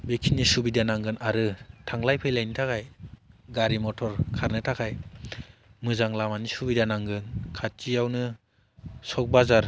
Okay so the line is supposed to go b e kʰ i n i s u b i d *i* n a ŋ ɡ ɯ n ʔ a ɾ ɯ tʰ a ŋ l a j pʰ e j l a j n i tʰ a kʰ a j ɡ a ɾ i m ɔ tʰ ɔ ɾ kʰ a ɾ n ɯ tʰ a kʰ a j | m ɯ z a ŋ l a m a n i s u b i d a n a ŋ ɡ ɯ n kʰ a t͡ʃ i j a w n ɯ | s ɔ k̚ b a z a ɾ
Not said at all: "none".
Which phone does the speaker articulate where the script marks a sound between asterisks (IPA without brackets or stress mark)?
a